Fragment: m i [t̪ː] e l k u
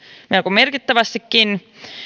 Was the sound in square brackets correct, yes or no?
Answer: no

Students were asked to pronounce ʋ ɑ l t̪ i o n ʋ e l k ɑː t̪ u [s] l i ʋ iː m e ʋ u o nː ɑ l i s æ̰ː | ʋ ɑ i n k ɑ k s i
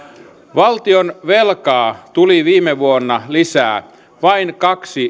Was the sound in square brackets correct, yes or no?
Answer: no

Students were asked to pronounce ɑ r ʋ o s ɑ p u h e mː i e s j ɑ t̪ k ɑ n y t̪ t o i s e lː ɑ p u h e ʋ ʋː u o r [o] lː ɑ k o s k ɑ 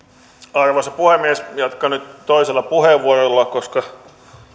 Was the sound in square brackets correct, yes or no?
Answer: yes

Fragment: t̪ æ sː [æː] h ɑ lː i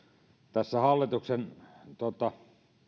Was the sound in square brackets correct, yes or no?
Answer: no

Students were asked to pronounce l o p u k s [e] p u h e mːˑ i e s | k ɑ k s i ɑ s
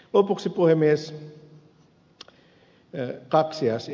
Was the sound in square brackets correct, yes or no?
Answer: no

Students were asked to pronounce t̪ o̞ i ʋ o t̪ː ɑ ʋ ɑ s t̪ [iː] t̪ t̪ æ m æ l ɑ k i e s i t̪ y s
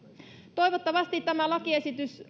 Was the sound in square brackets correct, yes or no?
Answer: no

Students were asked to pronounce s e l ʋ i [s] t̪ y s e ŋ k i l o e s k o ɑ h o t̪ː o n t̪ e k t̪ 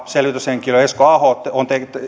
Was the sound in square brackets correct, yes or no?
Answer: no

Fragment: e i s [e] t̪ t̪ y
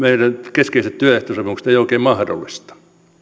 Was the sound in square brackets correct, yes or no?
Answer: yes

